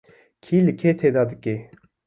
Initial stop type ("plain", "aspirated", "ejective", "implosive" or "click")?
aspirated